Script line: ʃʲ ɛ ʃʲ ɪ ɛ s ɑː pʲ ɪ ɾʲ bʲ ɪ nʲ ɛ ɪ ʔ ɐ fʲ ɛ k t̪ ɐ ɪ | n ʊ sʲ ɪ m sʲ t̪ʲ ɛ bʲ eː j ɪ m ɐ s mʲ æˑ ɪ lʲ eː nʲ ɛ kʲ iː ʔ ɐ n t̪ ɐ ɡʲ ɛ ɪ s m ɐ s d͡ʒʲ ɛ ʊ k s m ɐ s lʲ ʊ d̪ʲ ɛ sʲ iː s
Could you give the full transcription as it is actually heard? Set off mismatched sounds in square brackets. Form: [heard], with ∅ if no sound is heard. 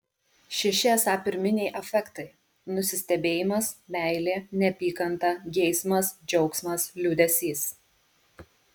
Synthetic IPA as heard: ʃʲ ɛ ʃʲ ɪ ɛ s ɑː pʲ ɪ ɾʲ [mʲ] ɪ nʲ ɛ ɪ ʔ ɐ fʲ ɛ k t̪ ɐ ɪ | n ʊ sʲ ɪ [∅] sʲ t̪ʲ ɛ bʲ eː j ɪ m ɐ s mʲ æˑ ɪ lʲ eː nʲ ɛ [pʲ] iː [k] ɐ n t̪ ɐ ɡʲ ɛ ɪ s m ɐ s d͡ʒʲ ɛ ʊ k s m ɐ s lʲ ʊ d̪ʲ ɛ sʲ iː s